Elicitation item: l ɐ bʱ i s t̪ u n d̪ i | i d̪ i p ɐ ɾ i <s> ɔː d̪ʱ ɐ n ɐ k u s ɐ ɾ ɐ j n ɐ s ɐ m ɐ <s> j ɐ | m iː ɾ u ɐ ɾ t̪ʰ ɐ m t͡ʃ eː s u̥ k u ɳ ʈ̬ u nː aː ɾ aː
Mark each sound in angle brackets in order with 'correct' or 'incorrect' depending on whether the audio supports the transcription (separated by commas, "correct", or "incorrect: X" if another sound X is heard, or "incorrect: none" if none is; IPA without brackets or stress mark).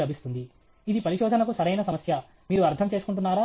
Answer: incorrect: ʃ, correct